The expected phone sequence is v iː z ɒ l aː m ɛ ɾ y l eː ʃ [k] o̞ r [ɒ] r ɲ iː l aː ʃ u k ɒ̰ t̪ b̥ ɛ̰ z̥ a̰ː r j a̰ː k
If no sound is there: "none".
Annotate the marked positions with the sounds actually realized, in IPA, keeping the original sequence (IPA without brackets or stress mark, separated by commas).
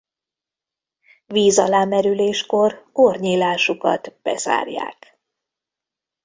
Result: k, o